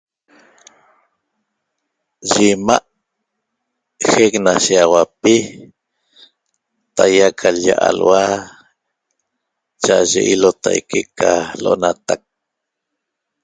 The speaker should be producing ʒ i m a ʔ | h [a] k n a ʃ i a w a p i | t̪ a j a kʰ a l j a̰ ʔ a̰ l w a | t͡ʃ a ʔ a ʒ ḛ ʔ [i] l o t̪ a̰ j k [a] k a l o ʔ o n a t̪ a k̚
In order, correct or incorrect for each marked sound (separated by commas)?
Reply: incorrect, correct, incorrect